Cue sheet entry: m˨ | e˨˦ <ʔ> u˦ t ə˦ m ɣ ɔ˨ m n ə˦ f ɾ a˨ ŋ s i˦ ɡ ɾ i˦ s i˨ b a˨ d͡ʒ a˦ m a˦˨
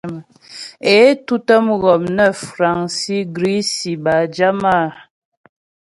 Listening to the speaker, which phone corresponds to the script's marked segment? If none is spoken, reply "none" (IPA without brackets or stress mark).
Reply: t